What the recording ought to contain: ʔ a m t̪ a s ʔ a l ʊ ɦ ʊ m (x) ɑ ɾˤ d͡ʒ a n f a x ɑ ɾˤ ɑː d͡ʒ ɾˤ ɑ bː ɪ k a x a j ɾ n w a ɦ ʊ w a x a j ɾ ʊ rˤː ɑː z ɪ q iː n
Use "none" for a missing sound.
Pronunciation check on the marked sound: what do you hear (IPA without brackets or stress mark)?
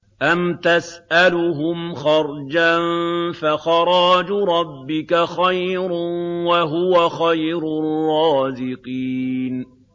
x